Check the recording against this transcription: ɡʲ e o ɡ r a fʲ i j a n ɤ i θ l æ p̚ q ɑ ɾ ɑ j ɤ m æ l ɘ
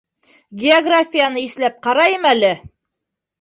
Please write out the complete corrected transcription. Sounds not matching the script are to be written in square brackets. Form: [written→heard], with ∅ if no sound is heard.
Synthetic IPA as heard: ɡʲ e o ɡ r a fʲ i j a n ɤ i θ l æ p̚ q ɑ ɾ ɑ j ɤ m æ l ɘ